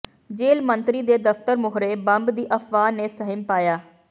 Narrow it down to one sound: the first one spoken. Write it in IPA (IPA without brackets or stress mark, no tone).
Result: d͡ʒ